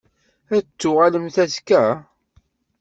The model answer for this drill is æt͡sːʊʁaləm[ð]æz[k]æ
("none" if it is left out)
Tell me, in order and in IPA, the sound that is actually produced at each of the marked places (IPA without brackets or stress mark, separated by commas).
θ, k